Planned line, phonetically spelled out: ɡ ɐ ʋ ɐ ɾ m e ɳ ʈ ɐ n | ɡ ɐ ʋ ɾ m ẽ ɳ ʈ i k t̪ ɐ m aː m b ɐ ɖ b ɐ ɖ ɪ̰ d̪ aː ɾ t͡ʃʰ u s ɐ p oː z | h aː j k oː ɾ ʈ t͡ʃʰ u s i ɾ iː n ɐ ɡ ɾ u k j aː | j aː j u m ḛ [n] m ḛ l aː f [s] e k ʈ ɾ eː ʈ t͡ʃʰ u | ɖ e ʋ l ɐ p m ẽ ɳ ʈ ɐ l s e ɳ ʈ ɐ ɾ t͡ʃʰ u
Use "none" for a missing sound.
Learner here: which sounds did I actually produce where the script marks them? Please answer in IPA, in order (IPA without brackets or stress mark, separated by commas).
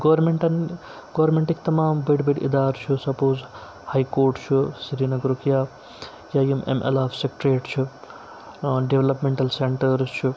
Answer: none, s